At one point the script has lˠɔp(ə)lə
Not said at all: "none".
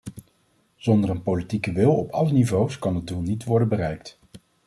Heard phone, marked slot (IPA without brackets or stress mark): ɑ